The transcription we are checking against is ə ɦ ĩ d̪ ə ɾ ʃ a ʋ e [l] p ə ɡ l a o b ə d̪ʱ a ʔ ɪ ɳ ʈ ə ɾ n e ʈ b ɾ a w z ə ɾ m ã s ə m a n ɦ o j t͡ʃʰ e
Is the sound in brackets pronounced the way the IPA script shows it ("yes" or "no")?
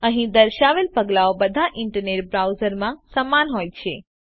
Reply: yes